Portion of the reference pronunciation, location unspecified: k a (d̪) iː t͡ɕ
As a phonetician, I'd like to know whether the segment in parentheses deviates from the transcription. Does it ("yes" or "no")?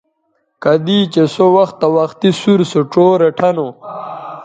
no